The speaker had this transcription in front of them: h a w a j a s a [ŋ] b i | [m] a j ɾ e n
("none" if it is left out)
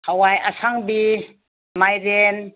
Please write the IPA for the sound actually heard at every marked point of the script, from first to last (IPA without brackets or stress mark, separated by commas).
ŋ, m